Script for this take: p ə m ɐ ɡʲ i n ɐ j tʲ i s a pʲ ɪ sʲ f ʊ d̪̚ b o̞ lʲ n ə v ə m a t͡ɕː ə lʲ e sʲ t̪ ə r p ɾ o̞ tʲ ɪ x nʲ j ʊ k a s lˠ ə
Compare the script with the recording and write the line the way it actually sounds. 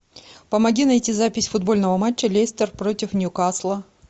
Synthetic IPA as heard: p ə m ɐ ɡʲ i n ɐ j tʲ i z a pʲ ɪ sʲ f ʊ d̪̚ b o̞ lʲ n ə v ə m a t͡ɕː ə lʲ e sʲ t̪ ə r p ɾ o̞ tʲ ɪ f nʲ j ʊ k a s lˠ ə